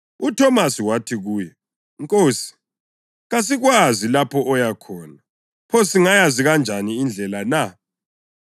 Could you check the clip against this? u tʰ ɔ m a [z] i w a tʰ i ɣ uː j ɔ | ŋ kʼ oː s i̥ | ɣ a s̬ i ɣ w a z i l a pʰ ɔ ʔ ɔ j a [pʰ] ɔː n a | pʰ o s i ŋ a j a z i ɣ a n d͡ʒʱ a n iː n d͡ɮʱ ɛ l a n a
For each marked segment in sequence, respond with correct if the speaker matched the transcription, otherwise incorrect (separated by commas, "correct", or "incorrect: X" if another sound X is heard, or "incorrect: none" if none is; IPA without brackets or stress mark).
incorrect: s, incorrect: kʰ